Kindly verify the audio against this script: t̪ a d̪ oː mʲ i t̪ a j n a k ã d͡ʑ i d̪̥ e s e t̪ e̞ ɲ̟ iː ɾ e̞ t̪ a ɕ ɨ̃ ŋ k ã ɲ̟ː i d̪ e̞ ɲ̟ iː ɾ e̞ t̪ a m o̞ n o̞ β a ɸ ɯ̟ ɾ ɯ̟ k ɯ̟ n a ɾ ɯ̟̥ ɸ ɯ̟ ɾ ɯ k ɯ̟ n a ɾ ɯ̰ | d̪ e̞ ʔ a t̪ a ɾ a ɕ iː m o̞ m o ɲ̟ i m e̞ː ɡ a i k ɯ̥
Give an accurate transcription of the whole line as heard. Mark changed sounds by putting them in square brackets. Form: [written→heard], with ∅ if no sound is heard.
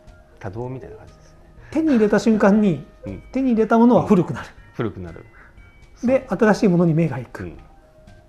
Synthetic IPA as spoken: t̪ a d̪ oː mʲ i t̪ a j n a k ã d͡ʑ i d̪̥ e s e t̪ e̞ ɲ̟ iː ɾ e̞ t̪ a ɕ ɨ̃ ŋ k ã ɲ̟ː i [d̪→t̪] e̞ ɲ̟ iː ɾ e̞ t̪ a m o̞ n o̞ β a ɸ ɯ̟ ɾ ɯ̟ k ɯ̟ n a ɾ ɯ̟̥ ɸ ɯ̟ ɾ ɯ k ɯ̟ n a ɾ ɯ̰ | d̪ e̞ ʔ a t̪ a ɾ a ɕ iː m o̞ [m→n] o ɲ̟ i m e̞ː ɡ a i k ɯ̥